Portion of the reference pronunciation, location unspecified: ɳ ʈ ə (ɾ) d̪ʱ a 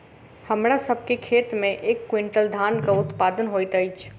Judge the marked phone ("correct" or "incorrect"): incorrect